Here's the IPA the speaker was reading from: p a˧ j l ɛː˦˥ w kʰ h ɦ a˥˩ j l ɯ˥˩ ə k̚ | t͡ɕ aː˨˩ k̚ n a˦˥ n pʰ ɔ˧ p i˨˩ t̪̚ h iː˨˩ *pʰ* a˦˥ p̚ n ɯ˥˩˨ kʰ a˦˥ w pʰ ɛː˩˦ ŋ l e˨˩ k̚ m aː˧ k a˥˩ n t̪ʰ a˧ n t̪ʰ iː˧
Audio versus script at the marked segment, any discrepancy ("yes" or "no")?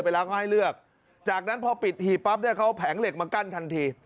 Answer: yes